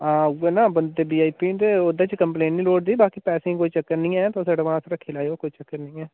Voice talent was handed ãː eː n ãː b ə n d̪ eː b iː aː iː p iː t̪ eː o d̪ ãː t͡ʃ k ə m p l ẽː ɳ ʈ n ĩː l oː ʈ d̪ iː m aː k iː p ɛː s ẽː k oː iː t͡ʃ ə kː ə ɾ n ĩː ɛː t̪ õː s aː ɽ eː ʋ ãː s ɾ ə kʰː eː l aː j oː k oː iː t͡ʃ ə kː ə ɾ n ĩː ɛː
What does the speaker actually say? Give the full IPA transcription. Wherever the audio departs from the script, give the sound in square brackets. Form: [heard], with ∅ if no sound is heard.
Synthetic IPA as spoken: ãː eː n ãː b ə n d̪ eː b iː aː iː p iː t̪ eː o d̪ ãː t͡ʃ k ə m p l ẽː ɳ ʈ n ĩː l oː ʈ d̪ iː [b] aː k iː p ɛː s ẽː k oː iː t͡ʃ ə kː ə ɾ n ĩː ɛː t̪ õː s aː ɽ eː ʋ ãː s ɾ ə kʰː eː l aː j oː k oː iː t͡ʃ ə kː ə ɾ n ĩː ɛː